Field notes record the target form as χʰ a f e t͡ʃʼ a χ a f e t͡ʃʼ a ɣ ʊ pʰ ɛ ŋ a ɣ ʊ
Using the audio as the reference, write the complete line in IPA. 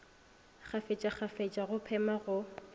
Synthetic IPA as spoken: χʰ a f e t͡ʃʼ a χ a f e t͡ʃʼ a ɣ ʊ pʰ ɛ m a ɣ ʊ